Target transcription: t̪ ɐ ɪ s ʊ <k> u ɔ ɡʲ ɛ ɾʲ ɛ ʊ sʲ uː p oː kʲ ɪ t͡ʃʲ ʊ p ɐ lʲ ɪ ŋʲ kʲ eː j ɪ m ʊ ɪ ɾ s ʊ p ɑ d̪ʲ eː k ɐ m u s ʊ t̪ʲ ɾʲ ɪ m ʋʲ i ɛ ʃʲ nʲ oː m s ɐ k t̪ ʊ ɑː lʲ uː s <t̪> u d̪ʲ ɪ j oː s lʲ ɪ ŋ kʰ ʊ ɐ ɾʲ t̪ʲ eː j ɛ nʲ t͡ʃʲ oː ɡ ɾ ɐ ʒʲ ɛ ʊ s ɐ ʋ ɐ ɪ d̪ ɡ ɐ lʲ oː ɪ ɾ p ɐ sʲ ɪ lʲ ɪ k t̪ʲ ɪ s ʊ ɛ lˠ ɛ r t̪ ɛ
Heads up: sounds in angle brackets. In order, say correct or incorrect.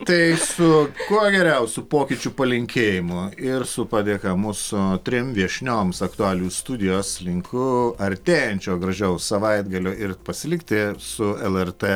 correct, correct

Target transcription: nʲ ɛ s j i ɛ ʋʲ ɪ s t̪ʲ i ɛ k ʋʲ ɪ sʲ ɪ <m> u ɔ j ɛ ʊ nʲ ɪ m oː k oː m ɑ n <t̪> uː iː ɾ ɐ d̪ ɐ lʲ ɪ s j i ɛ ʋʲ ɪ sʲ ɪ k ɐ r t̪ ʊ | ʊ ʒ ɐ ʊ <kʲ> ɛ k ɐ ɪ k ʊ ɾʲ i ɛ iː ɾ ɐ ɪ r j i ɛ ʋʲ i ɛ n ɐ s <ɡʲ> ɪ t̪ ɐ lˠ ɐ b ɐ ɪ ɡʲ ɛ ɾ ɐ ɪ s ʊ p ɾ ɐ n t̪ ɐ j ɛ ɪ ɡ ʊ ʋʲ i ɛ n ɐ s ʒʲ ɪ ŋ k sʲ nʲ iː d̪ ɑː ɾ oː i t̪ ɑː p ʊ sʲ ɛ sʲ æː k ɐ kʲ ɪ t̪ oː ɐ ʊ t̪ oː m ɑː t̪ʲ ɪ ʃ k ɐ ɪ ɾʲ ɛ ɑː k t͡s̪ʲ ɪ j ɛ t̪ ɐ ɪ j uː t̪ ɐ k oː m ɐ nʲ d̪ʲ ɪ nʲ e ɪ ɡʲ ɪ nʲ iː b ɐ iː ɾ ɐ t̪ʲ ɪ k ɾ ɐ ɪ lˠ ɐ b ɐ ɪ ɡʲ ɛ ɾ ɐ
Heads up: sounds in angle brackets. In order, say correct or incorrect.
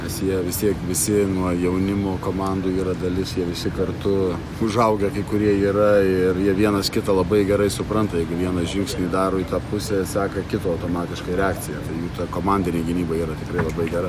incorrect: n, incorrect: d̪, incorrect: ɡʲ, incorrect: kʲ

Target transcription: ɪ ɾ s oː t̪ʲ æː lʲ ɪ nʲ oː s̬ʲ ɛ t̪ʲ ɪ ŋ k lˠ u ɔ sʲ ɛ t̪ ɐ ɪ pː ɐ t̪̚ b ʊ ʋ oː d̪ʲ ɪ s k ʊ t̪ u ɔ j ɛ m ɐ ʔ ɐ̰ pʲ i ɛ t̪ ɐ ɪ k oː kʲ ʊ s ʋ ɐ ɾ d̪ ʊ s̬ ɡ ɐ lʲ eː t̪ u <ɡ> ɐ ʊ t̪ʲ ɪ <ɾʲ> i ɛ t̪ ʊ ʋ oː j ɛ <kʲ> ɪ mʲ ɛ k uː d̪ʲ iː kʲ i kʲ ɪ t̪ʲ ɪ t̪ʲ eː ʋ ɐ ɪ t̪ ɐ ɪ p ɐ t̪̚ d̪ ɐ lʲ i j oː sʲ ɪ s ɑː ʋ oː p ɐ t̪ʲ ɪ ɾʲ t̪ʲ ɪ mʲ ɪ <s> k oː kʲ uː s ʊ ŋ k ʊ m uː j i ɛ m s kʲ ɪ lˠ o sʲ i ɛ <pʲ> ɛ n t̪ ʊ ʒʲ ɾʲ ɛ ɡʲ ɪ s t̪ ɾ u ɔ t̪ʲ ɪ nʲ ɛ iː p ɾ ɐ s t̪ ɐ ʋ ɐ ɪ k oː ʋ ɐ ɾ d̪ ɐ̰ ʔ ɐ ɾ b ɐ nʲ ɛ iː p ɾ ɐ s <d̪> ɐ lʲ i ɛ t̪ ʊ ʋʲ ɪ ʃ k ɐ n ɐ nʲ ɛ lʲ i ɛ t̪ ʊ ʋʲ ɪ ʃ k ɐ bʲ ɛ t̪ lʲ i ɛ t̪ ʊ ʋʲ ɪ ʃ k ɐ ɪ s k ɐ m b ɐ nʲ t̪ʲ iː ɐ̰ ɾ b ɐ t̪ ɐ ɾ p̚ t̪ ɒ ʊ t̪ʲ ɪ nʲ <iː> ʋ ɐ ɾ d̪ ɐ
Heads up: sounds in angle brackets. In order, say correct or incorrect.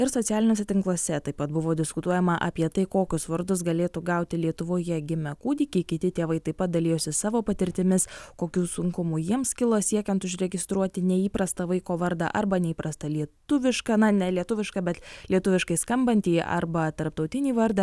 correct, incorrect: lʲ, incorrect: ɡʲ, correct, incorrect: kʲ, incorrect: t̪, correct

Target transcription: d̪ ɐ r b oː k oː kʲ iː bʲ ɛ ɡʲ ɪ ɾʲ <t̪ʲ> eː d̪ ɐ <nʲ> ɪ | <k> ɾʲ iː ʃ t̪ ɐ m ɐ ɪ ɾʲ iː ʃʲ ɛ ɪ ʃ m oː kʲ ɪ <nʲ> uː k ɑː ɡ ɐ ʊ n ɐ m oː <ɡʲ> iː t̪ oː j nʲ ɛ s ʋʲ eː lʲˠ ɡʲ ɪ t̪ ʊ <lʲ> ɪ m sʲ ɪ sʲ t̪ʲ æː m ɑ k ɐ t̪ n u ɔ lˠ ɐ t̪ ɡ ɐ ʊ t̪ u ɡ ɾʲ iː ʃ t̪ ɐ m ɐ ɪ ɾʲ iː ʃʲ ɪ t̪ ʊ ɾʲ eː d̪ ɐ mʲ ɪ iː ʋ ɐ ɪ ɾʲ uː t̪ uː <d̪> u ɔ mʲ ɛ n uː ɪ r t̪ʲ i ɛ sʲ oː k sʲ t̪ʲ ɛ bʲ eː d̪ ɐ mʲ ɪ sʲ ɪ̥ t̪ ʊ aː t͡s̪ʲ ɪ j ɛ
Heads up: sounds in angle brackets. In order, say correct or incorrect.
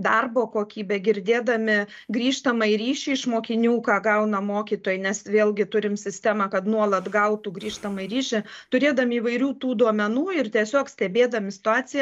incorrect: d̪ʲ, incorrect: mʲ, incorrect: ɡ, correct, incorrect: kʲ, incorrect: ɾʲ, correct

